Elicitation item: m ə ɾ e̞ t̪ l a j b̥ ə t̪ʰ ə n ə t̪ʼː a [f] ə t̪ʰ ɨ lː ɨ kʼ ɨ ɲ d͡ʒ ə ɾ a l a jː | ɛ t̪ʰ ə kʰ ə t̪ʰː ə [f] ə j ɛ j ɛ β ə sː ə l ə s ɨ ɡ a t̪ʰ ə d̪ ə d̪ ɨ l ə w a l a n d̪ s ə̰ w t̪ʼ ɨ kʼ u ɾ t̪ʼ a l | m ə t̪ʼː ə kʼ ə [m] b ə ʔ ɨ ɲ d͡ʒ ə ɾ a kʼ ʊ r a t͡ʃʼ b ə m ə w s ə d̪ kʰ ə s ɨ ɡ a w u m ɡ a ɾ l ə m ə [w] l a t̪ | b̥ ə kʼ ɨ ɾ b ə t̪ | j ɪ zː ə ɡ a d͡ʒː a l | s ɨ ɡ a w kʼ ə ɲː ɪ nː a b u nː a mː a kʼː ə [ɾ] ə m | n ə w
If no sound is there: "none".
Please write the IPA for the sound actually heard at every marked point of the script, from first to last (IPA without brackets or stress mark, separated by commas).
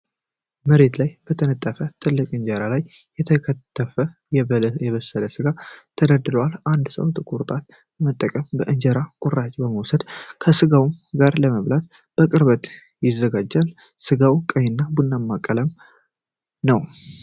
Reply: f, f, m, β, l